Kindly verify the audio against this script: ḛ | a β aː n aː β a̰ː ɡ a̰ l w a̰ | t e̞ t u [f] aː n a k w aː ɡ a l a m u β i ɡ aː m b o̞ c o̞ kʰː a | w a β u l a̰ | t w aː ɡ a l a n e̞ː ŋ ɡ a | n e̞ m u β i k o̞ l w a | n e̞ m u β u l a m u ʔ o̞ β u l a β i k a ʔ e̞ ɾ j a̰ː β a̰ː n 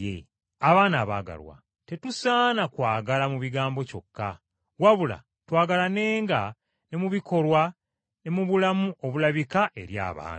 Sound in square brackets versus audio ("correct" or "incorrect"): incorrect